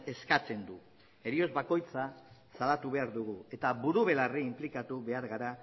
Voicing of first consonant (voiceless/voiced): voiceless